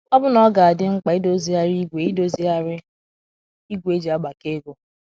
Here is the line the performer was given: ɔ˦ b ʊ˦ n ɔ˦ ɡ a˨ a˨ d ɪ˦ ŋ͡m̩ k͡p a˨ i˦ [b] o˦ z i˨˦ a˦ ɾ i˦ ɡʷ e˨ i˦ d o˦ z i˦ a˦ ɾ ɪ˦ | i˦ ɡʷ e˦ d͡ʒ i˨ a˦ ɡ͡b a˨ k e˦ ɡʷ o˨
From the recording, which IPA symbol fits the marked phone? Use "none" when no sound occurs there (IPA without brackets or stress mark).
d